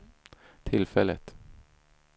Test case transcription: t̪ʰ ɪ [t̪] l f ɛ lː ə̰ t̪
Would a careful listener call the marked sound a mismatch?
yes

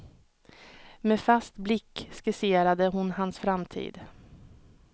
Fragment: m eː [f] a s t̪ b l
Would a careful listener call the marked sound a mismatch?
no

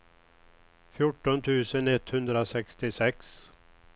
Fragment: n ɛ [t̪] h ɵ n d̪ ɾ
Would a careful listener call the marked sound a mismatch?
no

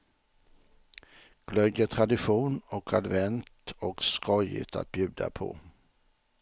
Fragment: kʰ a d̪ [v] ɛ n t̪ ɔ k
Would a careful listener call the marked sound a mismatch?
no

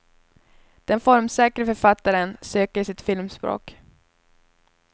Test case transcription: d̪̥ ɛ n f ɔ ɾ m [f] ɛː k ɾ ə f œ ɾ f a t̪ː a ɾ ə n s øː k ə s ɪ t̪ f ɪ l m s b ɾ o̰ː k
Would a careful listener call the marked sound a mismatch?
yes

